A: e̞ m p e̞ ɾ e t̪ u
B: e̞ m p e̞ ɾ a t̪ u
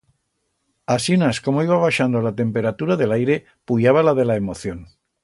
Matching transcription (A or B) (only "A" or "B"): B